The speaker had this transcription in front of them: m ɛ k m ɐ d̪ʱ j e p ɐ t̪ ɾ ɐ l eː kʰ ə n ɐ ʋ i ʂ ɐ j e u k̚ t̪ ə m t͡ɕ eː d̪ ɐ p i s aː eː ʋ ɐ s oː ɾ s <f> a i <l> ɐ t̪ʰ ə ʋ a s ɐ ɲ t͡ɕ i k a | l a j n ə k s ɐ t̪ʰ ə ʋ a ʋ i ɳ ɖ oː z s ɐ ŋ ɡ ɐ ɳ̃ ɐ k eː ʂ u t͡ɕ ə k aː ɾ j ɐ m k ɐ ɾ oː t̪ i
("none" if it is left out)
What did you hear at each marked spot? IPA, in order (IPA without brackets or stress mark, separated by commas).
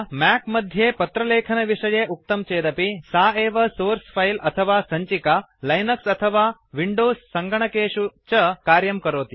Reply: f, l